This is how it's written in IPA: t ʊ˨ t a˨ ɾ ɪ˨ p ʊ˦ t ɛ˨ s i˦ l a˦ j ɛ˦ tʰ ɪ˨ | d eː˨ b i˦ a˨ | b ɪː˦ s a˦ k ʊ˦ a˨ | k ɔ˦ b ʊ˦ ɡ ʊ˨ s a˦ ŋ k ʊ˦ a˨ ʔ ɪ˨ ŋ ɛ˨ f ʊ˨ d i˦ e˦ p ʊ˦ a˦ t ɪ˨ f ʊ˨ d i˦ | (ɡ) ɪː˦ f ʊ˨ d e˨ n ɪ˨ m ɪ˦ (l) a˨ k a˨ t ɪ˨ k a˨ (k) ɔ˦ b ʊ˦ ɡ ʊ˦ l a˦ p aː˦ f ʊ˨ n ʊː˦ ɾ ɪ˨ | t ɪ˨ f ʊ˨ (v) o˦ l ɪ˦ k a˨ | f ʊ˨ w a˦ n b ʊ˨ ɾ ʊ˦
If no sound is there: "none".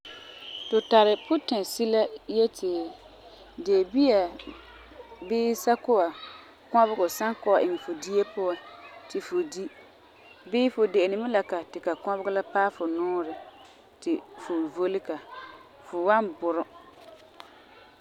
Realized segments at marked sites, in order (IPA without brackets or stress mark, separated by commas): b, l, k, v